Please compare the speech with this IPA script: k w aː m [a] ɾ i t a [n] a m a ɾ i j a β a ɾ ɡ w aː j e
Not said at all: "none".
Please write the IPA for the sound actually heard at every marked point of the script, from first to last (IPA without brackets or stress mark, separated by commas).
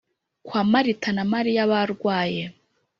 a, n